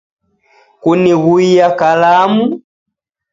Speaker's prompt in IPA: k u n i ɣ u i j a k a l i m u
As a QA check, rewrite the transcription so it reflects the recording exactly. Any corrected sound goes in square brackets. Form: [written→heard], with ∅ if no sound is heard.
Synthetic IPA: k u n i ɣ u i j a k a l [i→a] m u

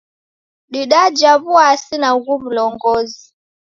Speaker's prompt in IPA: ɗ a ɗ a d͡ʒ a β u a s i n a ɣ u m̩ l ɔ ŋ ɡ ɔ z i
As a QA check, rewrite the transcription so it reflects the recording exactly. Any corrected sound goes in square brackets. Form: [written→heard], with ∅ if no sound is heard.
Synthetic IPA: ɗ [a→i] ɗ a d͡ʒ a β u a s i n a ɣ u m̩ l ɔ ŋ ɡ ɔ z i

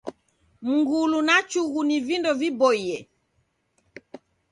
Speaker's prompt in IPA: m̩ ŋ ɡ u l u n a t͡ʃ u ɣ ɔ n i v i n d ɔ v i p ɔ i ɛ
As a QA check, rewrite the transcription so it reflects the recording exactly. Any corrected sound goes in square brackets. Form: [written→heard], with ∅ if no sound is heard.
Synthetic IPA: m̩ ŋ ɡ u l u n a t͡ʃ u ɣ [ɔ→u] n i v i n d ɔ v i [p→b] ɔ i ɛ

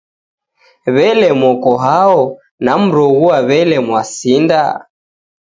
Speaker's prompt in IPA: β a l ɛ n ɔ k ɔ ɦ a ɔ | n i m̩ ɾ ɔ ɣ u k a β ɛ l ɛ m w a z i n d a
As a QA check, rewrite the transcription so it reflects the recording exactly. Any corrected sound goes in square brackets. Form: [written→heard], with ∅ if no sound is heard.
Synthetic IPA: β [a→ɛ] l ɛ [n→m] ɔ k ɔ ɦ a ɔ | n [i→a] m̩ ɾ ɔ ɣ u [k→∅] a β ɛ l ɛ m w a [z→s] i n d a

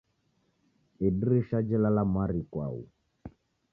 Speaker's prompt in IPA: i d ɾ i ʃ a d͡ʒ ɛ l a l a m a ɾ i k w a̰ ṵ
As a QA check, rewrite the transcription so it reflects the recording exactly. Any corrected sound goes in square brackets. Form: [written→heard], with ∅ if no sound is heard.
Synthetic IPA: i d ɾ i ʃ a d͡ʒ ɛ l a l a m a ɾ i k w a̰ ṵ

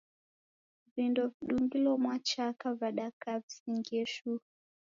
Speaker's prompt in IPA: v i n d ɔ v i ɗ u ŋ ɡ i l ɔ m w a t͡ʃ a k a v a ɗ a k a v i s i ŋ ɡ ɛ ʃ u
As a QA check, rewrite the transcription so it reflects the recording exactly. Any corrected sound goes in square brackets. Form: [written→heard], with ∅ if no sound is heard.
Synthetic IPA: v i n d ɔ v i ɗ u ŋ ɡ i l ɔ m w a t͡ʃ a k a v a ɗ a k a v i s i ŋ ɡ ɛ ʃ u

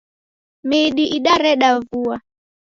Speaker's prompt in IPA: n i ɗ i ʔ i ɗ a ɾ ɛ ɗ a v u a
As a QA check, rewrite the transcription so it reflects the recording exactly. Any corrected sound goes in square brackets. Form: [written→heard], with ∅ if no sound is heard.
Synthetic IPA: [n→m] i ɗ i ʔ i ɗ a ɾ ɛ ɗ a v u a

